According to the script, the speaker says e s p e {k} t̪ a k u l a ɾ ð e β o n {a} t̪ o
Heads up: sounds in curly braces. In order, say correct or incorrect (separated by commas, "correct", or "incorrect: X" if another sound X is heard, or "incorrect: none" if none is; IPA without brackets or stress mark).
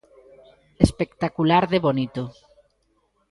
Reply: correct, incorrect: i